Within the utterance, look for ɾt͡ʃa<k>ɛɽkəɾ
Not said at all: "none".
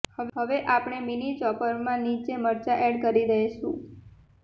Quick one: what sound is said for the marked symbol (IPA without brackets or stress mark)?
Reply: ʔ